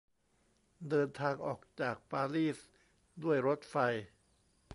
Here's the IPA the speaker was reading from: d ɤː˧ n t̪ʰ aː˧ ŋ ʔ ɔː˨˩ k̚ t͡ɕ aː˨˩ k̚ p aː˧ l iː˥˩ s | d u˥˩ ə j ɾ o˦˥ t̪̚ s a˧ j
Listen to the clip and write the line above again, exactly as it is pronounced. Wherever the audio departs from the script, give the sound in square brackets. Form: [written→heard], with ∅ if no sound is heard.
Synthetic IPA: d ɤː˧ n t̪ʰ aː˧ ŋ ʔ ɔː˨˩ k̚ t͡ɕ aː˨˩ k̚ p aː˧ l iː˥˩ s | d u˥˩ ə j ɾ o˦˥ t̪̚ [s→f] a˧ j